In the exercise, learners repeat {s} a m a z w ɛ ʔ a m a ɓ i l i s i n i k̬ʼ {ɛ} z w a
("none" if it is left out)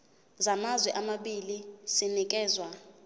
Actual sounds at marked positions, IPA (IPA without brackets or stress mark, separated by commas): z, ɛː